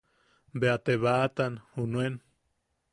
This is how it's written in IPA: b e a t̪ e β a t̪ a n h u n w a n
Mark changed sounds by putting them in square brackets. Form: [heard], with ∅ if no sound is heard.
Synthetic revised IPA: b e a t̪ e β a t̪ a n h u n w [e] n